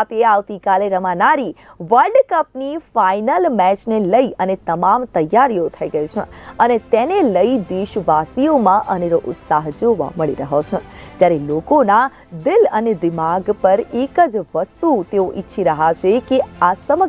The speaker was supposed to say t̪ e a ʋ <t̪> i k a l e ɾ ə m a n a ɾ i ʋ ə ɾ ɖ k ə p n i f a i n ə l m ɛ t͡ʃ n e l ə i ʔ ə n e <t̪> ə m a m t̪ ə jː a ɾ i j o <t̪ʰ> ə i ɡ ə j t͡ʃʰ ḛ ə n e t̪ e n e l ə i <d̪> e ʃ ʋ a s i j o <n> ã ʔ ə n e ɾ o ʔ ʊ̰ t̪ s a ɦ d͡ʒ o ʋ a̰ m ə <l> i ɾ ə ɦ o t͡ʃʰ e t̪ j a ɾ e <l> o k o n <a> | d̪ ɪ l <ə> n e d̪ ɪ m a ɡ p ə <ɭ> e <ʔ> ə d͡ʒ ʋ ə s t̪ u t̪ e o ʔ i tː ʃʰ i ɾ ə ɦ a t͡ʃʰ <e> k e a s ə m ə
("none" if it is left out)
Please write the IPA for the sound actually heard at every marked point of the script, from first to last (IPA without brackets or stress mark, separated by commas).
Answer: t̪, t̪, t̪ʰ, d̪, m, ɭ, l, a, ə, ɾ, k, e